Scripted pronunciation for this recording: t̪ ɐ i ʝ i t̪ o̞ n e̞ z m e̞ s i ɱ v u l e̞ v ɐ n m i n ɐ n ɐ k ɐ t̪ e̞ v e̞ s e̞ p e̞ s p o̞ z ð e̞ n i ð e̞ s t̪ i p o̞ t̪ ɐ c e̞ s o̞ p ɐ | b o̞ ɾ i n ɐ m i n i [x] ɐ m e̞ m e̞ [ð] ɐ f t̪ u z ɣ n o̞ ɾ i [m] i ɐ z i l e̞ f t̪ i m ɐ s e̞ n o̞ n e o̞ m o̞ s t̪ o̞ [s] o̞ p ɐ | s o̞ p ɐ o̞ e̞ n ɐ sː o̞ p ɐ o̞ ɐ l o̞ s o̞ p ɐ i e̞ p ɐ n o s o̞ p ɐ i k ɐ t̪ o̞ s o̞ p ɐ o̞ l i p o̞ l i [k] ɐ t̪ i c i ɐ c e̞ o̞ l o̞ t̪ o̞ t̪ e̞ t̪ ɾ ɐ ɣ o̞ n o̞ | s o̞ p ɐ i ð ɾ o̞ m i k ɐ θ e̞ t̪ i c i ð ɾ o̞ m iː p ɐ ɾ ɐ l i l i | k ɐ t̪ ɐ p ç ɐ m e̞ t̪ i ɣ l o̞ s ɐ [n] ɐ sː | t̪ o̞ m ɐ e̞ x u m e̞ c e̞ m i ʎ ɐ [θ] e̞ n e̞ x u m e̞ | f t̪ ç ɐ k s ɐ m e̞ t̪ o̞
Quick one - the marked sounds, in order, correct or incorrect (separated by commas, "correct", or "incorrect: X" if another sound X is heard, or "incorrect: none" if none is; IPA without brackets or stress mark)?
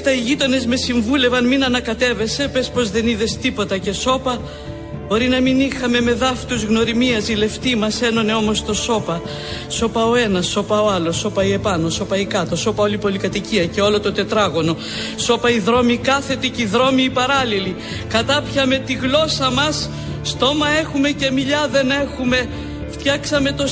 correct, correct, correct, correct, correct, incorrect: m, incorrect: ð